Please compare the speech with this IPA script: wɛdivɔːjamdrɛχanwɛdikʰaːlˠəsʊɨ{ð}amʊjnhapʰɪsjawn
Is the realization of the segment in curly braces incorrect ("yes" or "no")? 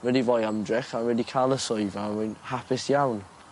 yes